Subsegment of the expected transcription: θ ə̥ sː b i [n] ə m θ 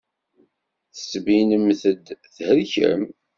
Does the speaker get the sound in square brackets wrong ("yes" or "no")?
no